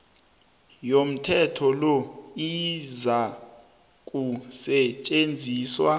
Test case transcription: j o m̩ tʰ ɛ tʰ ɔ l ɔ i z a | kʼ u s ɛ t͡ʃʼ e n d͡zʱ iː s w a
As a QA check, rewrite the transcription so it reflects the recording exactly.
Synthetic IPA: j o m̩ tʰ ɛ tʰ ɔ l ɔ i z a | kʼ u s ɛ t͡ʃʼ e n d͡zʱ iː s w a